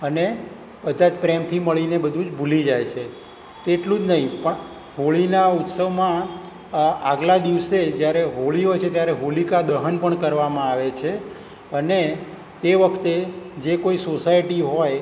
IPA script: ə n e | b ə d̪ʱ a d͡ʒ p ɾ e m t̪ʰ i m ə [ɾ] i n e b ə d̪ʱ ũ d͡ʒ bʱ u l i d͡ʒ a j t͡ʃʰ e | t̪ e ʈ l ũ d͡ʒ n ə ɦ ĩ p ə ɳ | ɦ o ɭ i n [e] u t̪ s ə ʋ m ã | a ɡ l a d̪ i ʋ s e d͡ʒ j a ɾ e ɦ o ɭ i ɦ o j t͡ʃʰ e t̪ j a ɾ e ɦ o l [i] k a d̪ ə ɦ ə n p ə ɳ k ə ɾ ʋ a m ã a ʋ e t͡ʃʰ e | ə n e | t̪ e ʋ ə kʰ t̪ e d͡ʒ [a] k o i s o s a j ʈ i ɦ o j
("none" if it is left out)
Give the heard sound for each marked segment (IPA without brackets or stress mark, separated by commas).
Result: ɭ, a, i, e